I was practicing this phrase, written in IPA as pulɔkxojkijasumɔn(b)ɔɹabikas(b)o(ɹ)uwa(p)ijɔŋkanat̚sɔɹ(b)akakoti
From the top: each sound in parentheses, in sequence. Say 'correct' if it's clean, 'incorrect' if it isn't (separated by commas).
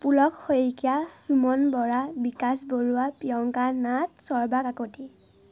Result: correct, correct, correct, correct, correct